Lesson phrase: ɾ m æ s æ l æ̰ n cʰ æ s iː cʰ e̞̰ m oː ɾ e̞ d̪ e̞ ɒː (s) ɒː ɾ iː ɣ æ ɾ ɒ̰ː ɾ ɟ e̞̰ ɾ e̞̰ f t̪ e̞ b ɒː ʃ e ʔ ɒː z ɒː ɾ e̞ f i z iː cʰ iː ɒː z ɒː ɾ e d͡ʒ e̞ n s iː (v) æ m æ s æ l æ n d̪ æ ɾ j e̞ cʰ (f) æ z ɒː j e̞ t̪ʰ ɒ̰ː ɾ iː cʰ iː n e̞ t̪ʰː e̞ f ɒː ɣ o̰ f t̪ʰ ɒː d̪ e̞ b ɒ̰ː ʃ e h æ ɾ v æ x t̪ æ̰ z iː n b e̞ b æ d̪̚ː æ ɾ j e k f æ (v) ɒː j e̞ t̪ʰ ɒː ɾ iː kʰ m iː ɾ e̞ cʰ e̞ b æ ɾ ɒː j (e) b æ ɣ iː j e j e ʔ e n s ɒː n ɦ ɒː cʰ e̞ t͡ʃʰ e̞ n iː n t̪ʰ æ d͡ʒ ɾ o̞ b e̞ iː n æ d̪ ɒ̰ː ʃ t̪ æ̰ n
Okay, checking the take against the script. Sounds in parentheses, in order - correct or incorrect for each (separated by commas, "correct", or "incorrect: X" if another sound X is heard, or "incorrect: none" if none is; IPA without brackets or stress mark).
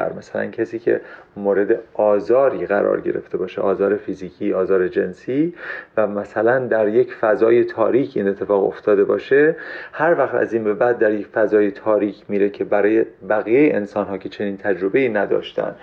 incorrect: z, correct, correct, incorrect: z, correct